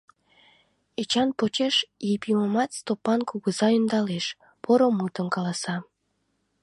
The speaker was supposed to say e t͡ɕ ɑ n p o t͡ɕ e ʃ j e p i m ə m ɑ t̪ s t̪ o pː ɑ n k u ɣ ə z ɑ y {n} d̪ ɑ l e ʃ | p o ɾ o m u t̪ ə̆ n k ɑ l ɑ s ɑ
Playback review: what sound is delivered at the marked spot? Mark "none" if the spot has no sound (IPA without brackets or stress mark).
n